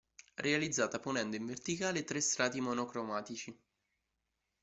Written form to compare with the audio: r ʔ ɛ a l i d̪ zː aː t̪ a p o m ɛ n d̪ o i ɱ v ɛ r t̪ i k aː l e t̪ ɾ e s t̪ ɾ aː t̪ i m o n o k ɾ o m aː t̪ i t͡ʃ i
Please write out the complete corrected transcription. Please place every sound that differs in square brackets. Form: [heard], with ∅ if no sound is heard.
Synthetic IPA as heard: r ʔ [e] a l i d̪ zː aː t̪ a p o [n] ɛ n d̪ o i ɱ v [e] r t̪ i k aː l e t̪ ɾ e s t̪ ɾ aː t̪ i m o n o k ɾ o m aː t̪ i t͡ʃ i